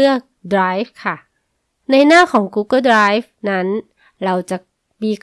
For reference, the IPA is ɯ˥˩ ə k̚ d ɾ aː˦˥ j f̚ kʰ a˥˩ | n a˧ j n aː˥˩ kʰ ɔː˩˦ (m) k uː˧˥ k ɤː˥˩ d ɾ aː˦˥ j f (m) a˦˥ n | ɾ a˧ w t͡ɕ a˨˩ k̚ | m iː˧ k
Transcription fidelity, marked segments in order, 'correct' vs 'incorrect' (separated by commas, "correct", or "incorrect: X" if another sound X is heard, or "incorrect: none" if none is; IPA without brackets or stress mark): incorrect: ŋ, incorrect: n